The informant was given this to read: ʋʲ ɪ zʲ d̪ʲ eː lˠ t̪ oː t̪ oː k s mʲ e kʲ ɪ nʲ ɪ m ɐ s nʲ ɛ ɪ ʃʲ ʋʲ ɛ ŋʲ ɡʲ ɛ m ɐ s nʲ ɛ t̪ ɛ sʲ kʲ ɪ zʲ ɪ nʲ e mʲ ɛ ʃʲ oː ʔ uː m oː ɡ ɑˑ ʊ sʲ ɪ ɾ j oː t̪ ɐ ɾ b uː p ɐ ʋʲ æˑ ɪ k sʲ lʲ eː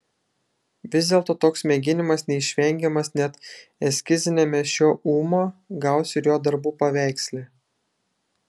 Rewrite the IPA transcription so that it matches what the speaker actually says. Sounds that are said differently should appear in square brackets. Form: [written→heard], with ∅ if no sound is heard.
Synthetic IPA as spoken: ʋʲ ɪ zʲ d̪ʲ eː lˠ t̪ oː t̪ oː k s mʲ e [kʲ→ɡʲ] ɪ nʲ ɪ m ɐ s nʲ ɛ ɪ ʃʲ ʋʲ ɛ ŋʲ ɡʲ ɛ m ɐ s nʲ ɛ t̪ ɛ sʲ kʲ ɪ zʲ ɪ nʲ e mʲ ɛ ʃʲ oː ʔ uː m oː ɡ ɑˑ ʊ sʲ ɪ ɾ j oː [t̪→d̪] ɐ ɾ b uː p ɐ ʋʲ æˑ ɪ k sʲ lʲ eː